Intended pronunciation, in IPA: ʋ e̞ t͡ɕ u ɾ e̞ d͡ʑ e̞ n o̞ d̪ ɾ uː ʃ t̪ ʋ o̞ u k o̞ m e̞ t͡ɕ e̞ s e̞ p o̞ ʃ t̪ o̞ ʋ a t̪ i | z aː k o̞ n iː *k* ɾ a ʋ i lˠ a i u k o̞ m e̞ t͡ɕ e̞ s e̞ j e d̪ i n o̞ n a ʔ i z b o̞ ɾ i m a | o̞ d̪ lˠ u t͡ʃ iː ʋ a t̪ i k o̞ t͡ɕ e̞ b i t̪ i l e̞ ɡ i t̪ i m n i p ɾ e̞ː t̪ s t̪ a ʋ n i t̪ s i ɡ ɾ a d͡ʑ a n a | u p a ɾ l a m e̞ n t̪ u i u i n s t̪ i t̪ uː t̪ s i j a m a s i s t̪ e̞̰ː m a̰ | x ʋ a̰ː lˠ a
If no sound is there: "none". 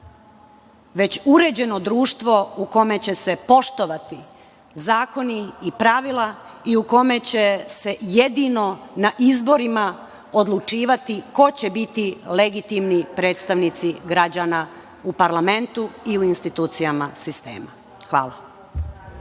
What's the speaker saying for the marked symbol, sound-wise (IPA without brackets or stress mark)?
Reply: p